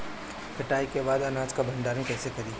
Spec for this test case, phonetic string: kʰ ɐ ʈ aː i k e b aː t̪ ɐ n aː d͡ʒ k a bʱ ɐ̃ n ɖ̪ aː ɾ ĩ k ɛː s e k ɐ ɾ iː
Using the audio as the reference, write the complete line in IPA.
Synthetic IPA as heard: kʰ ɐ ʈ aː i k e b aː d̪ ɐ n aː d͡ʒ k a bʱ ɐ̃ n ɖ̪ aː ɾ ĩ k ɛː s e k ɐ ɾ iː